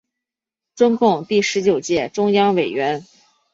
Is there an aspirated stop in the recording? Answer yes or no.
no